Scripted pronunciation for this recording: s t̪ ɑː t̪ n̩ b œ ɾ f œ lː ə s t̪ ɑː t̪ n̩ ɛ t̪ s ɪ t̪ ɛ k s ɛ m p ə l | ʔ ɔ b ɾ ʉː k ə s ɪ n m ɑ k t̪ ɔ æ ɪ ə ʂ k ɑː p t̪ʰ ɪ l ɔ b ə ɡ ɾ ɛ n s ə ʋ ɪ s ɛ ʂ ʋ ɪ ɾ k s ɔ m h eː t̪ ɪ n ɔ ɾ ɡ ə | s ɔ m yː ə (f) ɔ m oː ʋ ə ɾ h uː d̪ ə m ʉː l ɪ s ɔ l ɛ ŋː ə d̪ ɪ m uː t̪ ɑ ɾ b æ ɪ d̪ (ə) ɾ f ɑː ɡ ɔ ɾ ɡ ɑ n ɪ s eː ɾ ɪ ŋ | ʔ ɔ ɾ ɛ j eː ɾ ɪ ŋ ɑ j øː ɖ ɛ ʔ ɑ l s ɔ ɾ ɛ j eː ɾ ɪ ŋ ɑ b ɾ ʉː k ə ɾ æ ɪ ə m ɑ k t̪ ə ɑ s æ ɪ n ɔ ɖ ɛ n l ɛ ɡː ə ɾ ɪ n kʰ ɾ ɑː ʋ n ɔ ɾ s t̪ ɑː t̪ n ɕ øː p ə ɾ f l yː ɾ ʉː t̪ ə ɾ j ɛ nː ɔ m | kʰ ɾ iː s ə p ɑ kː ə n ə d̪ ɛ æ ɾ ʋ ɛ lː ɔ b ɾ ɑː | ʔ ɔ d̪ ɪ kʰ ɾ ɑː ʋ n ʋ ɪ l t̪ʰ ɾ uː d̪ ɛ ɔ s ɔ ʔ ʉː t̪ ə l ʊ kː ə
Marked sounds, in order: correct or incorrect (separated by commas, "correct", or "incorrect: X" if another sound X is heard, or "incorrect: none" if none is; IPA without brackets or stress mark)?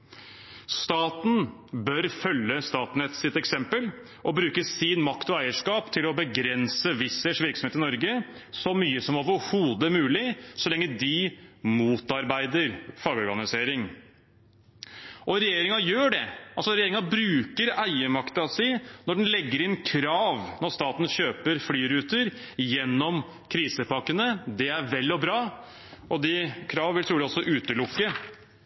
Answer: incorrect: s, correct